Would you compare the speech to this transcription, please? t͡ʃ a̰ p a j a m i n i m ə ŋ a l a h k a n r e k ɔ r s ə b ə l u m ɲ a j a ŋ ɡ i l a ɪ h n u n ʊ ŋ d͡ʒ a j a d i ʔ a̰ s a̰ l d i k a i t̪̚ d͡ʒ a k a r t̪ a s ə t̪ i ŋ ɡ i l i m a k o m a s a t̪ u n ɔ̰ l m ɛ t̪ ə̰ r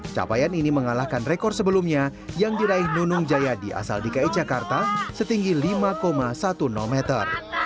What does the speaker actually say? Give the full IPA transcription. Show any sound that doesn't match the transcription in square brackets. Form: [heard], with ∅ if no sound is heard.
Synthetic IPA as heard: t͡ʃ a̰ p a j a [n] i n i m ə ŋ a l a h k a n r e k ɔ r s ə b ə l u m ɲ a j a ŋ [d] i [ɾ] a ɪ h n u n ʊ ŋ d͡ʒ a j a d i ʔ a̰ s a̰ l d i k a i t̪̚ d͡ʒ a k a r t̪ a s ə t̪ i ŋ ɡ i l i m a k o m a s a t̪ u n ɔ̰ l m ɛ t̪ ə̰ r